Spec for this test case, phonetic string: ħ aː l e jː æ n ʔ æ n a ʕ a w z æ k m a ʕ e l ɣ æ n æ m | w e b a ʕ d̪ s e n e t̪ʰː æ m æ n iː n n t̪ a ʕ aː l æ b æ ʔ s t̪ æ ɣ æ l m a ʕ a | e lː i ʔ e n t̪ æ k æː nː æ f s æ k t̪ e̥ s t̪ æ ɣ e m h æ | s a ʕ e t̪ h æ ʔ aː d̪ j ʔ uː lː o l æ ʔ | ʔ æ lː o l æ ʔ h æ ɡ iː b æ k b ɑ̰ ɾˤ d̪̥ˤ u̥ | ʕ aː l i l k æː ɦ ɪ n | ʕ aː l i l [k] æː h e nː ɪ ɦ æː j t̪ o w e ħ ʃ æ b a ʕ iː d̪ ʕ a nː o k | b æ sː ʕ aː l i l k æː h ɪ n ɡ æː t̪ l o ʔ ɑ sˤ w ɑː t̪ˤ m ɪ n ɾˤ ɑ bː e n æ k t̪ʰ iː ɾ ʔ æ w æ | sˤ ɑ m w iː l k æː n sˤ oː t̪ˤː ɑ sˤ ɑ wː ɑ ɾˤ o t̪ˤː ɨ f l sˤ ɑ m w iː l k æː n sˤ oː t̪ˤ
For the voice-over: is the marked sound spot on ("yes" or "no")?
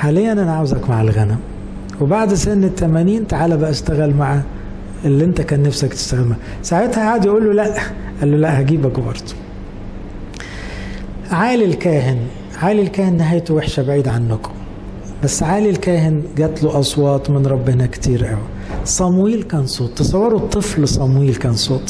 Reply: yes